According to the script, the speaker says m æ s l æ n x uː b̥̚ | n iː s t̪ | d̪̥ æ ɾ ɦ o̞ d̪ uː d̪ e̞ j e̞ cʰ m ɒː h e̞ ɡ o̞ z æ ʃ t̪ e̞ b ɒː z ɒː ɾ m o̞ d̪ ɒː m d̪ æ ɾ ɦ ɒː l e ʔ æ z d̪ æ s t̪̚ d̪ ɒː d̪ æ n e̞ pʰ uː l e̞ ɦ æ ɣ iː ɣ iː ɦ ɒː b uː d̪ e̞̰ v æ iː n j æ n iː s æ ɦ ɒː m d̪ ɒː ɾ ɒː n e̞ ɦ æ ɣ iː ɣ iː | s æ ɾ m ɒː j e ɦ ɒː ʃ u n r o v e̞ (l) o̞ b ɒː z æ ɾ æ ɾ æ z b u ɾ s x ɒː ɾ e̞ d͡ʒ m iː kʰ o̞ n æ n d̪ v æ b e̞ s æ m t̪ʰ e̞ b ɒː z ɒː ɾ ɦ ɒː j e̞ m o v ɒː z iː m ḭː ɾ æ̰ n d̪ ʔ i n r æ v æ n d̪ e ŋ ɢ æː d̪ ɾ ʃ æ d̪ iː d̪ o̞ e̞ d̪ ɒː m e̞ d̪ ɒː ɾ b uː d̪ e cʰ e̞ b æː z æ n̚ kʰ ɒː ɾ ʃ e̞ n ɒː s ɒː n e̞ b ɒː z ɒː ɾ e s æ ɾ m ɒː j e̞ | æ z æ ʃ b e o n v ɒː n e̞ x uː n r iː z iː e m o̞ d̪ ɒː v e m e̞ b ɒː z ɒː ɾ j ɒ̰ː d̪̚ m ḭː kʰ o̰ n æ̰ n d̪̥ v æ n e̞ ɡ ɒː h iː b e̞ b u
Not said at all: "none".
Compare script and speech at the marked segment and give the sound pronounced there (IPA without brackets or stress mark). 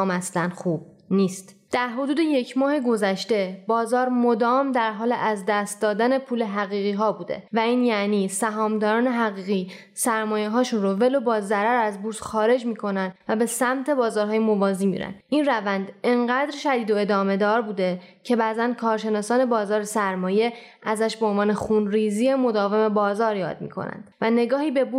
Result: l